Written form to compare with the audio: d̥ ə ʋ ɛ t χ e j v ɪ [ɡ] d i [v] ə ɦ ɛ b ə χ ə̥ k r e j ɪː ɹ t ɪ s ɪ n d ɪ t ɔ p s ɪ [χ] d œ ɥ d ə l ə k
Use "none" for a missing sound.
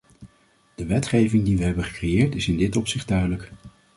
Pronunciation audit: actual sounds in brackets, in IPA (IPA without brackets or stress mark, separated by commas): ŋ, ʋ, χ